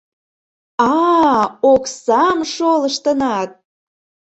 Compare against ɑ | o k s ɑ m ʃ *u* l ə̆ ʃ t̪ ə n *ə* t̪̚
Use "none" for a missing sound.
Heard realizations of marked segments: o, ɑ

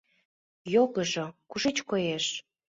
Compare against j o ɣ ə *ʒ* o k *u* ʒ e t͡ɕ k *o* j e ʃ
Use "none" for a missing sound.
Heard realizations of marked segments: ʒ, u, o

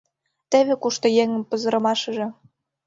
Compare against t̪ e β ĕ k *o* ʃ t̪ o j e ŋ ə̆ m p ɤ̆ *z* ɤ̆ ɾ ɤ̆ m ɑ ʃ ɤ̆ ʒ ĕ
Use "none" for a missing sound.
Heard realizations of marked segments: u, z

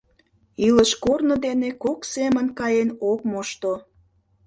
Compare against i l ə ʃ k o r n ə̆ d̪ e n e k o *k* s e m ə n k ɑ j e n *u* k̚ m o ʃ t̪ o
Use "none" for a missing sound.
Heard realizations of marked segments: k, o

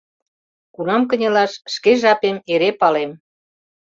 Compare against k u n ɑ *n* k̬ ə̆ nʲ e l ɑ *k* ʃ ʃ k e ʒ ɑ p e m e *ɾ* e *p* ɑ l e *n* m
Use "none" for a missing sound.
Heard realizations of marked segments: m, none, ɾ, p, none

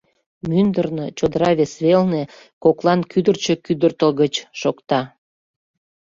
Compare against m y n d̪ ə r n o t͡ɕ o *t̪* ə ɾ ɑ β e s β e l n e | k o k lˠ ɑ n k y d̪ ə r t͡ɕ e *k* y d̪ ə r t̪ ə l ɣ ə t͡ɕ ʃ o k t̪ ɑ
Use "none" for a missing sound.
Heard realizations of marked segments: d̪, k

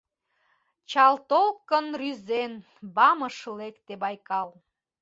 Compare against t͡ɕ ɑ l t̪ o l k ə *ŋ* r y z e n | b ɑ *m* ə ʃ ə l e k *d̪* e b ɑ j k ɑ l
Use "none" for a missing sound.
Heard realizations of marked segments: n, m, t̪

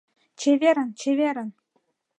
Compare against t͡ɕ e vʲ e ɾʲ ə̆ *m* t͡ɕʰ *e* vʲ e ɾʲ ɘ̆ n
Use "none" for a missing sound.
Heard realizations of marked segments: n, e

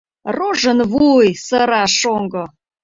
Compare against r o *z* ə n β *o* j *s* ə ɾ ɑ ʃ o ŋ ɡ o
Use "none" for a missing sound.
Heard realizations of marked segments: ʒ, u, s

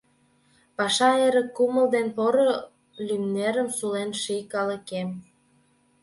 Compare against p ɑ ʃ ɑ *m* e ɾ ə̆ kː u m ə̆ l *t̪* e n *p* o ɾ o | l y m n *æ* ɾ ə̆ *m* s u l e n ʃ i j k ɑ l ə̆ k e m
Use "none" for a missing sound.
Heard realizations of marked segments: none, d̪, p, e, m

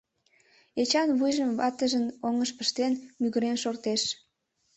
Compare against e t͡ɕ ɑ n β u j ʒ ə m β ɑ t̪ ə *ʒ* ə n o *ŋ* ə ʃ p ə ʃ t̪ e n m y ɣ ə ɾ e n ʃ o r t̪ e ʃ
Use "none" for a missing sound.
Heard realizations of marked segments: ʒ, ŋ

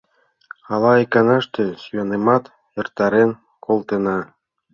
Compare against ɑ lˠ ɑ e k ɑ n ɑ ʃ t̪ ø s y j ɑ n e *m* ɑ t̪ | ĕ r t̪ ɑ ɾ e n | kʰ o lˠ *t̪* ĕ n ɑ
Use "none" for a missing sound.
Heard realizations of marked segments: m, t̪

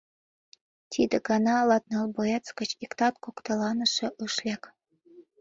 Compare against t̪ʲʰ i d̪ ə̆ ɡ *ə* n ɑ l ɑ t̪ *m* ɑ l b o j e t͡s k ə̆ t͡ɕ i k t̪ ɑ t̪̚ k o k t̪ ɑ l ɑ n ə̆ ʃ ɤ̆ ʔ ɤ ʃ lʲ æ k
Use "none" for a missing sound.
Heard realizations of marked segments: ɑ, n

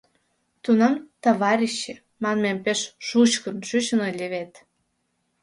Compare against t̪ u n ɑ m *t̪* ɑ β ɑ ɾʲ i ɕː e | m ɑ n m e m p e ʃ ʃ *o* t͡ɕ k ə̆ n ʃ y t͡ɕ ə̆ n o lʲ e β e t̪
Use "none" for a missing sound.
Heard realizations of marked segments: t̪, u

